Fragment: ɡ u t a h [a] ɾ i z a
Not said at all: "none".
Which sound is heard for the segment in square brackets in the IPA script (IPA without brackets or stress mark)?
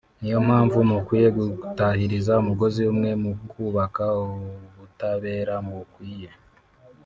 i